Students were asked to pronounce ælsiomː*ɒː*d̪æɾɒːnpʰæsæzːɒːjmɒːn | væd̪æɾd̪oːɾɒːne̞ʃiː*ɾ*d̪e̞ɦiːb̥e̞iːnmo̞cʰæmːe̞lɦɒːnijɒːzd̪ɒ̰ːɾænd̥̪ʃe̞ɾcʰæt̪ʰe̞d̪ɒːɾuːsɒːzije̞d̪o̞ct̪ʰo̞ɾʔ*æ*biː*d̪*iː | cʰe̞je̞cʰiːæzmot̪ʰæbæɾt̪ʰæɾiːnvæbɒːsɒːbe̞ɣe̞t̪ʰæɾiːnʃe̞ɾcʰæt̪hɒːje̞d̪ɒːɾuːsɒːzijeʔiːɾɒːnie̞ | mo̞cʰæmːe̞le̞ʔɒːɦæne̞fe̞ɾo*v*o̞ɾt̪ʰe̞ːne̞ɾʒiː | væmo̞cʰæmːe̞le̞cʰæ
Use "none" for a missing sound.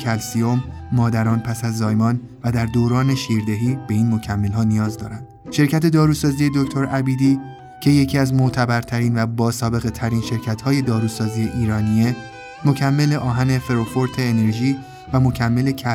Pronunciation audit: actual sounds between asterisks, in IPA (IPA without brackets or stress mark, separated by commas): ɒː, ɾ, æ, d̪, f